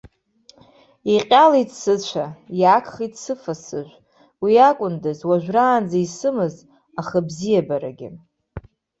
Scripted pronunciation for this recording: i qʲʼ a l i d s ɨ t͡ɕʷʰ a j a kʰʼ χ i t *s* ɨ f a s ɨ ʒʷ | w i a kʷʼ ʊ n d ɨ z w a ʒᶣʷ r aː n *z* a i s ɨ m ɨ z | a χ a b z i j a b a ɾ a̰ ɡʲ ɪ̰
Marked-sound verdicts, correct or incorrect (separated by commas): correct, incorrect